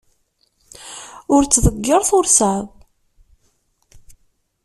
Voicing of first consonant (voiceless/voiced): voiced